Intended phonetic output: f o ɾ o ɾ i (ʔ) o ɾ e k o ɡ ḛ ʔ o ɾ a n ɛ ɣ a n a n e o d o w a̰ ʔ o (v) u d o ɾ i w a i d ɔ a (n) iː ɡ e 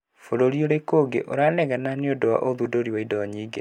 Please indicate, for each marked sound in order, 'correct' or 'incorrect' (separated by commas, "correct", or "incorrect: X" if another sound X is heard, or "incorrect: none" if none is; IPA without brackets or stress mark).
incorrect: none, incorrect: ð, incorrect: ɲ